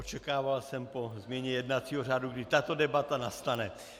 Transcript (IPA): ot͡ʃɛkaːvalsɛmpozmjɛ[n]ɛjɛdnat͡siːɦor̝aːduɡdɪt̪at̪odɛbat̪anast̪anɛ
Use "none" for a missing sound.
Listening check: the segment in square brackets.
ɲ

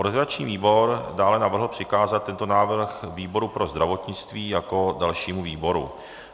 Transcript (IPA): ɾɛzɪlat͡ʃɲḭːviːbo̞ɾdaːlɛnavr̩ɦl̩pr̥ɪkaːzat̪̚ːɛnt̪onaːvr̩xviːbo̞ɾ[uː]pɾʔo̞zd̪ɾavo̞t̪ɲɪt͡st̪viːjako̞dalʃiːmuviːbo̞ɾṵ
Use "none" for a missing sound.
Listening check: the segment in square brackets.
u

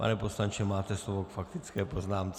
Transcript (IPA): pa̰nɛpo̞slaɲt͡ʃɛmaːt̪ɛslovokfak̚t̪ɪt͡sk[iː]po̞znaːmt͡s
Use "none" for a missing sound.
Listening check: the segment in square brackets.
ɛː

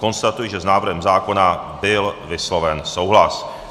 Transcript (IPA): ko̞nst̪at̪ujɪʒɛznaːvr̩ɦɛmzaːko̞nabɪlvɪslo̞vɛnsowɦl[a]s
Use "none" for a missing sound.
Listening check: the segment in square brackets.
a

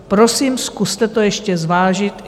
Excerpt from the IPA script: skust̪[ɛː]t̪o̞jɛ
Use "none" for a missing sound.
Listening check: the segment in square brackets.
ɛ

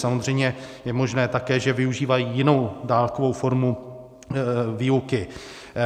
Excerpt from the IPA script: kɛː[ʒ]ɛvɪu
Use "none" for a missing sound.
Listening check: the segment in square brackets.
ʒ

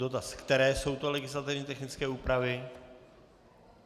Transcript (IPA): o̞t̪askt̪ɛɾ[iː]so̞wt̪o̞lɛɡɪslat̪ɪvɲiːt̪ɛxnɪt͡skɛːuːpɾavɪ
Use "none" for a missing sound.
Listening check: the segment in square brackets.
ɛː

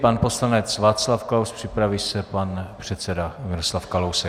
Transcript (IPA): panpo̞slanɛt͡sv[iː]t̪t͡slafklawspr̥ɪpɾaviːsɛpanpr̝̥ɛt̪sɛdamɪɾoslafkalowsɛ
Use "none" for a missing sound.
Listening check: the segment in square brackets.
aː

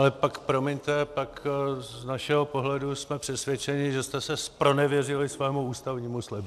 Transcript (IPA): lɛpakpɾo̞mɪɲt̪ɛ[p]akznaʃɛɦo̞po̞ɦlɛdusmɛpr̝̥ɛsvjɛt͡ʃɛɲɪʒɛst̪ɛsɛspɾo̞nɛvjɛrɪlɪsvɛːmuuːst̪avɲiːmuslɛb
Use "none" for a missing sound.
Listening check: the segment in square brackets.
p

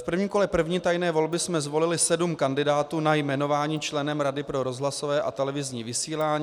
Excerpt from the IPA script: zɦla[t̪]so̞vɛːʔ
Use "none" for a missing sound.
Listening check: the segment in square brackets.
none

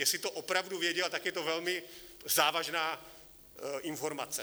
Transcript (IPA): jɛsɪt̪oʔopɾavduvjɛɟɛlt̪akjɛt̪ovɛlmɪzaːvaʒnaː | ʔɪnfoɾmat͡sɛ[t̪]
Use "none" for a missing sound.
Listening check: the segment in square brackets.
none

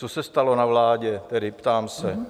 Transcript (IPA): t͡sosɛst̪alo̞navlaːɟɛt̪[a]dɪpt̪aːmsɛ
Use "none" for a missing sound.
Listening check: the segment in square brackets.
ɛ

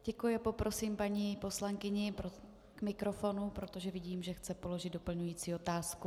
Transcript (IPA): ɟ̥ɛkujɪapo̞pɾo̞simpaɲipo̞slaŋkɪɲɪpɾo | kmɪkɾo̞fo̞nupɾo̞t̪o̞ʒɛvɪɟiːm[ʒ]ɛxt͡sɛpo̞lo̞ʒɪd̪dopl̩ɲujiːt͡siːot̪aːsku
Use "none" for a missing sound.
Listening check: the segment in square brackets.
ʒ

